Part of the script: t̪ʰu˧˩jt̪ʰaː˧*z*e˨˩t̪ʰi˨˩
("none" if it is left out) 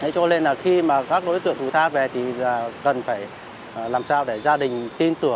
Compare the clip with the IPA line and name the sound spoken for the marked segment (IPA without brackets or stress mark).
v